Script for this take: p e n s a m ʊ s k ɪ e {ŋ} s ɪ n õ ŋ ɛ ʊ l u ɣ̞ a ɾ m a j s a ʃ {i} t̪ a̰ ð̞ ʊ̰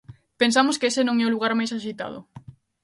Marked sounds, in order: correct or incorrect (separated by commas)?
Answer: incorrect, correct